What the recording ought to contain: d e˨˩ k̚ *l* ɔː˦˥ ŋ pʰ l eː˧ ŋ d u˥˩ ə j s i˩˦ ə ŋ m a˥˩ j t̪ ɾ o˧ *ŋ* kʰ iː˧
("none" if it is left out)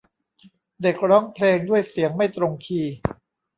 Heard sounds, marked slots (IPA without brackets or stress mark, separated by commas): ɾ, ŋ